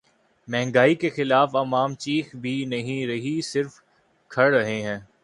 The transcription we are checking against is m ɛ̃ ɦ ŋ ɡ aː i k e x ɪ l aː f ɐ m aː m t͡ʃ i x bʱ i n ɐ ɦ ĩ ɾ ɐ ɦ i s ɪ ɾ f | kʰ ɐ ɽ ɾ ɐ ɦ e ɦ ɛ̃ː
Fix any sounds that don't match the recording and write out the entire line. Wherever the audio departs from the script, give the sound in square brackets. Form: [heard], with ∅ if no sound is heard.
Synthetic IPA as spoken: m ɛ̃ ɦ ŋ ɡ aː i k e x ɪ l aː f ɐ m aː m t͡ʃ [iː] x bʱ i n ɐ ɦ ĩ ɾ ɐ ɦ i s ɪ ɾ f | kʰ ɐ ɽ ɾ ɐ ɦ e ɦ ɛ̃ː